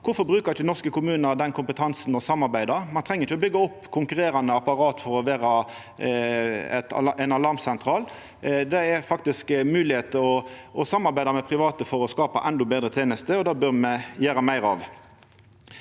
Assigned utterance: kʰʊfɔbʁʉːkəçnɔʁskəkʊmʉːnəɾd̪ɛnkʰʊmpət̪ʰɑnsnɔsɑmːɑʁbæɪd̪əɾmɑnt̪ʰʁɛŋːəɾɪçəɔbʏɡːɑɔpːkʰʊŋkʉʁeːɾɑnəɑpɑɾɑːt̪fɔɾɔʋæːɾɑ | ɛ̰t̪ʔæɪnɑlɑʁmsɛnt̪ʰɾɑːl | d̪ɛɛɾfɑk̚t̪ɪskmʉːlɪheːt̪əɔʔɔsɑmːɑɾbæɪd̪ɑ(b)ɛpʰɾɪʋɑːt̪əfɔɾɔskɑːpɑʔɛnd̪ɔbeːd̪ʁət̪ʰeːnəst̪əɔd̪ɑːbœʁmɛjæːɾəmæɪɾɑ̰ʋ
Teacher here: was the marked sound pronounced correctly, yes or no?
no